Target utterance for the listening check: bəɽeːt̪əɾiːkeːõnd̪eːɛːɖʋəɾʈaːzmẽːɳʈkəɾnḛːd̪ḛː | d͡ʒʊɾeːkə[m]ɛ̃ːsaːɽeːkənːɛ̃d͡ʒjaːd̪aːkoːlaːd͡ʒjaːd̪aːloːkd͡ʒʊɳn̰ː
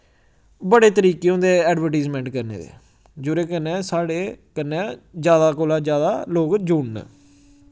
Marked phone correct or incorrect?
incorrect: n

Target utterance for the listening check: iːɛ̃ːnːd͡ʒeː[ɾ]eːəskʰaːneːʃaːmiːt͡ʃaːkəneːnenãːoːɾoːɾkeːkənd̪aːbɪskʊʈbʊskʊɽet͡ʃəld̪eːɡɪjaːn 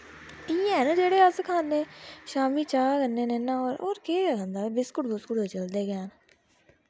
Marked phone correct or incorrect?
incorrect: ɽ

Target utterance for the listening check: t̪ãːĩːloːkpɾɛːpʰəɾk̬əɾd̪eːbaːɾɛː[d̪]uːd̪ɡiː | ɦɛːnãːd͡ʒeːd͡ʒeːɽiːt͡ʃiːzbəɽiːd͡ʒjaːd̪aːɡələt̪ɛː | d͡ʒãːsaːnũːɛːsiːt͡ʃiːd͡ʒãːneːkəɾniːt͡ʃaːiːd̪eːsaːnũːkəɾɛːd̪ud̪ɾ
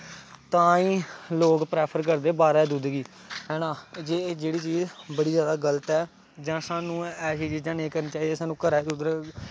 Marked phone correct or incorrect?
correct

